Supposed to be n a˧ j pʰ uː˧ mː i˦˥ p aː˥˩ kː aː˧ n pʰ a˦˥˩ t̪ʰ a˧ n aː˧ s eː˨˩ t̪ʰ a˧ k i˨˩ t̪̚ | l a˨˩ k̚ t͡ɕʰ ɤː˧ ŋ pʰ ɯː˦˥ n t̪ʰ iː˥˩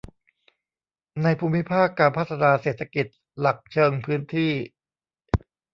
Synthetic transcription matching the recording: n a˧ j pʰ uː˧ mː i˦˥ pʰ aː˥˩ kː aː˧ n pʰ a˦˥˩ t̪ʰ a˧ n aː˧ s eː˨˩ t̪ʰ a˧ k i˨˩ t̪̚ | l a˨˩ k̚ t͡ɕʰ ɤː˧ ŋ pʰ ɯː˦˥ n t̪ʰ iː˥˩